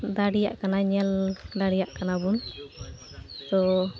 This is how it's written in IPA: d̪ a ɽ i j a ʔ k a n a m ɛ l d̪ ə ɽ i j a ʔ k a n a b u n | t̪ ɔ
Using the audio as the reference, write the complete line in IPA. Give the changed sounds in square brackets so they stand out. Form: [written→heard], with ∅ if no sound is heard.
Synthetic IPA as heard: d̪ a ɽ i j a ʔ k a n a [m→ɲ] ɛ l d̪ [ə→a] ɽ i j a ʔ k a n a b u n | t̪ ɔ